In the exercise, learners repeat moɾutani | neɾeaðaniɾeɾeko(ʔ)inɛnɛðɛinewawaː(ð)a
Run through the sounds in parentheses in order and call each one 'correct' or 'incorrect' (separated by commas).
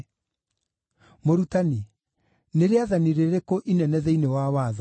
correct, correct